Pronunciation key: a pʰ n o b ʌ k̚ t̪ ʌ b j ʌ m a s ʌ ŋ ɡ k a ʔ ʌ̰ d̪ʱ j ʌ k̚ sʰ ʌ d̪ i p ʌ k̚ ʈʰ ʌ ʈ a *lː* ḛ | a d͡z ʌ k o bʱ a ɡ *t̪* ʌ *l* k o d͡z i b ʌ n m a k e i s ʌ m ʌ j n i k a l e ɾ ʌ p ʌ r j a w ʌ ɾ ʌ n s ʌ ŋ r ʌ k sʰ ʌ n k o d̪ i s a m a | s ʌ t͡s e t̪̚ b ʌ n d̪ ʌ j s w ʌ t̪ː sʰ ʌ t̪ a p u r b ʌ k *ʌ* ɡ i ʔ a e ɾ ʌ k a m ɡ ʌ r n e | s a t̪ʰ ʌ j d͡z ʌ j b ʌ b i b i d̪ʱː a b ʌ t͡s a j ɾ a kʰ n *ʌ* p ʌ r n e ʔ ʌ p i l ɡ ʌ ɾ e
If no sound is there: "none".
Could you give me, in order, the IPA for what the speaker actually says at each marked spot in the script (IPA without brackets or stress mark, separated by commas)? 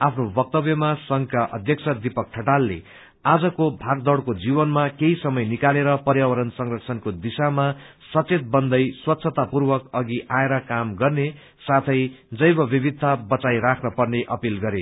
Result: lː, d̪, ɽ, ʌ, ʌ